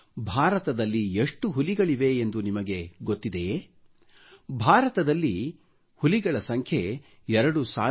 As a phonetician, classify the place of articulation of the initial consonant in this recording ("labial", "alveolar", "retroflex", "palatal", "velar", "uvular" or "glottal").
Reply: labial